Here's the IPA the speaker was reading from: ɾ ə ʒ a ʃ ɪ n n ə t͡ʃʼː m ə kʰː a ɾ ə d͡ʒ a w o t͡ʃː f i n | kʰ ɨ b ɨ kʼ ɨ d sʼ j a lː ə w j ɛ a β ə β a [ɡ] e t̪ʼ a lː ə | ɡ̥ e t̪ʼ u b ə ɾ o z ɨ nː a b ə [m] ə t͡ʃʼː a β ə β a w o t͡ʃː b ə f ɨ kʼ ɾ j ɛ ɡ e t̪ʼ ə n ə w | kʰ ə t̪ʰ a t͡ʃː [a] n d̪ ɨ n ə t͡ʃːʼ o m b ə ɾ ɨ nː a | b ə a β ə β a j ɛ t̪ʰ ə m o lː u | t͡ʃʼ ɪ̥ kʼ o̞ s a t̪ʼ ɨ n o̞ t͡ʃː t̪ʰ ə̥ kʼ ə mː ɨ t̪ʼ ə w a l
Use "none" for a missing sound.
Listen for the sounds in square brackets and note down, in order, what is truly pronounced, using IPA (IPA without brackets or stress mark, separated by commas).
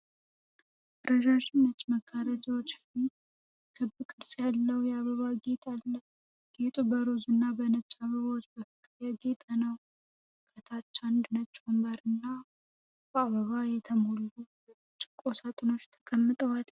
ɡ, n, a